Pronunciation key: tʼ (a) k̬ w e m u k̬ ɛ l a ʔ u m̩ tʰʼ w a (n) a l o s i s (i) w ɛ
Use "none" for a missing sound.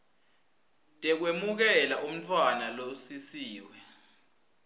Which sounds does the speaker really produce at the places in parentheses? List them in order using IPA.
ɛ, n, iː

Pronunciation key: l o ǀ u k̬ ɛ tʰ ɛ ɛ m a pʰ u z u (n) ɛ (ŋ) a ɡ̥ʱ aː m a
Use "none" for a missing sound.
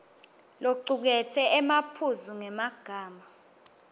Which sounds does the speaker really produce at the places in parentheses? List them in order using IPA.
ŋ, m

